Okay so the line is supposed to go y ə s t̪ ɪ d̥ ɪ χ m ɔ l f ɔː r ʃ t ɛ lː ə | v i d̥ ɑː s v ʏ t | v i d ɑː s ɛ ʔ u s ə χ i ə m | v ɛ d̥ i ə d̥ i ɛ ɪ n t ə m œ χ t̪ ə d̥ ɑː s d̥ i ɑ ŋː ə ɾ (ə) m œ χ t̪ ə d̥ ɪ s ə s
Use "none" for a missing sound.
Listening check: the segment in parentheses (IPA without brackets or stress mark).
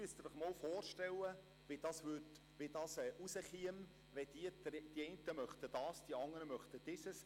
ə